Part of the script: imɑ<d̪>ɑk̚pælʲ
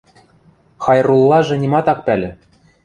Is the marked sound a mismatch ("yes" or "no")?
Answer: yes